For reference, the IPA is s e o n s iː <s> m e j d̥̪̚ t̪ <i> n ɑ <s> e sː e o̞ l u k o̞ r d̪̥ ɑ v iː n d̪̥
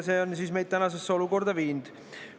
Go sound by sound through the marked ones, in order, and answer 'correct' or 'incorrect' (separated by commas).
correct, incorrect, correct